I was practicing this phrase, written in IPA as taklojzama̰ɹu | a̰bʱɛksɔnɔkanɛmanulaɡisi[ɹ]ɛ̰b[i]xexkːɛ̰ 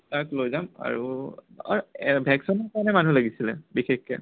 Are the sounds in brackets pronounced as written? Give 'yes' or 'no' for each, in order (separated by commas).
no, yes